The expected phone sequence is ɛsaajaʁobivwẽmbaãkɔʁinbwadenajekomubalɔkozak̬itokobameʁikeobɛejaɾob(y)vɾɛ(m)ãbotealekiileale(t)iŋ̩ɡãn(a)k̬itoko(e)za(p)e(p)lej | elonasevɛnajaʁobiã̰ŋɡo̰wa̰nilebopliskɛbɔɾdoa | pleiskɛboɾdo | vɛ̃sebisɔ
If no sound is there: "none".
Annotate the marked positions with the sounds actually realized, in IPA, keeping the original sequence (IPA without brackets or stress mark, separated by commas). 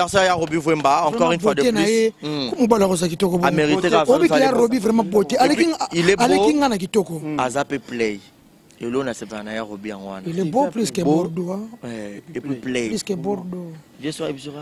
i, m, k, a, a, p, p